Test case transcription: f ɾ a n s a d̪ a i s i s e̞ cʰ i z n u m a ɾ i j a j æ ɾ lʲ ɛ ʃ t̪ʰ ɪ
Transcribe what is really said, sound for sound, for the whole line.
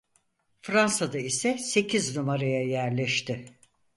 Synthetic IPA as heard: f ɾ a n s a d̪ a i s ɛ s e̞ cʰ i z n u m a ɾ a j a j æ ɾ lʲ ɛ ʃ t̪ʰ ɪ